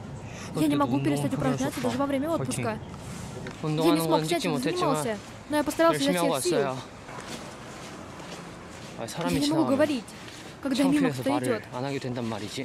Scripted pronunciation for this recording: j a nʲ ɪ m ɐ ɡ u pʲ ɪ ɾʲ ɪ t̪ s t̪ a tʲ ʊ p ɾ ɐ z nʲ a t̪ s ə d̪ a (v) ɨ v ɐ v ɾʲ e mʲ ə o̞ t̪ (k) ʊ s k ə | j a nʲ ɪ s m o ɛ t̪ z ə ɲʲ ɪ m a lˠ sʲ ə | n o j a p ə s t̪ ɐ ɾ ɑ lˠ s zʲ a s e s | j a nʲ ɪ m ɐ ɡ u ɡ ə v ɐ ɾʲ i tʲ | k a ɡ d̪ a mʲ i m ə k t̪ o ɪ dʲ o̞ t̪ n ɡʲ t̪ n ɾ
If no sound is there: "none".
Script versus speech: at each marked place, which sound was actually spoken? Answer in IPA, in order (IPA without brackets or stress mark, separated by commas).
ʐ, p